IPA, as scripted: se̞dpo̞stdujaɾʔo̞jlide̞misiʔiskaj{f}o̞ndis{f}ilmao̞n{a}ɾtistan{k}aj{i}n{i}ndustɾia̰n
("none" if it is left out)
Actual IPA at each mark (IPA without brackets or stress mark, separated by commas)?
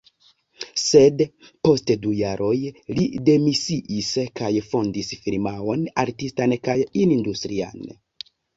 f, f, a, k, i, i